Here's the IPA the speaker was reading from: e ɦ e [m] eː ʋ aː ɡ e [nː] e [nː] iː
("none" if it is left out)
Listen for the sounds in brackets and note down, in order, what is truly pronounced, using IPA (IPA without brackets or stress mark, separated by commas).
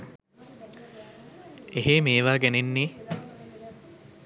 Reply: m, n, nː